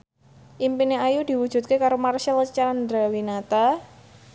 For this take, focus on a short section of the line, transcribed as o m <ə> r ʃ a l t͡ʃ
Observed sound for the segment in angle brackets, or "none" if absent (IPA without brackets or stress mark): a